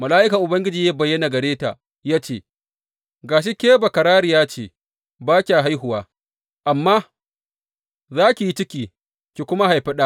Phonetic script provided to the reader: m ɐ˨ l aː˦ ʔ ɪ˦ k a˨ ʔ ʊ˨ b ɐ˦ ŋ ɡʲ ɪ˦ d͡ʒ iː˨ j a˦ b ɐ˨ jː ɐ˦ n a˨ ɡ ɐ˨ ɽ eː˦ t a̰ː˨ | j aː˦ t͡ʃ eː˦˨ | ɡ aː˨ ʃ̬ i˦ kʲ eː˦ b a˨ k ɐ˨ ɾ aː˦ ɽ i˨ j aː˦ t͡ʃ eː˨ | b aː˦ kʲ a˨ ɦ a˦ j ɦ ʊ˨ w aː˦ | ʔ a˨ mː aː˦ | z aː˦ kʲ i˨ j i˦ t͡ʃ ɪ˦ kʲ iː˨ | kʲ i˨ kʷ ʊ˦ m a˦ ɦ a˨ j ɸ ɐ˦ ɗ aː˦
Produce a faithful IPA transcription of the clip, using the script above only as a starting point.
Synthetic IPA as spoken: m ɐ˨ l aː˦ ʔ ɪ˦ k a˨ ʔ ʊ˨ b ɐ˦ ŋ ɡʲ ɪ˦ d͡ʒ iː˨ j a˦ b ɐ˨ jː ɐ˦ n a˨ ɡ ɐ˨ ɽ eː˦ t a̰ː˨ | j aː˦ t͡ʃ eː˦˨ | ɡ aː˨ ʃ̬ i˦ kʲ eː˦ b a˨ k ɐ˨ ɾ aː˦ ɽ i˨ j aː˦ t͡ʃ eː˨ | b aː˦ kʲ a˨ ɦ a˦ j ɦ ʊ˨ w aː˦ | ʔ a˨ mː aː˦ | z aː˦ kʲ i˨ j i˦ t͡ʃ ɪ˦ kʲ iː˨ | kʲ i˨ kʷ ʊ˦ m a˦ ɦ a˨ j ɸ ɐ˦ ɗ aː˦